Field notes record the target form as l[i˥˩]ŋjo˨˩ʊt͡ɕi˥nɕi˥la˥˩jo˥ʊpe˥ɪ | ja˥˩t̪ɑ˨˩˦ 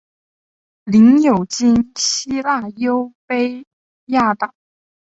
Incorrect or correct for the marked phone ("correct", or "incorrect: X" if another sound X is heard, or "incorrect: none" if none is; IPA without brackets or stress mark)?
incorrect: i˧˥